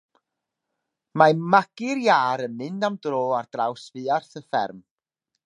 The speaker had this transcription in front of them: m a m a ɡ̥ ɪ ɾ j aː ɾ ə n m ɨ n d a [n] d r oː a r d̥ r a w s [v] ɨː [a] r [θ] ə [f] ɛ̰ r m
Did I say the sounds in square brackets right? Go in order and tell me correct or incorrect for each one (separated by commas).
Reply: incorrect, correct, correct, correct, correct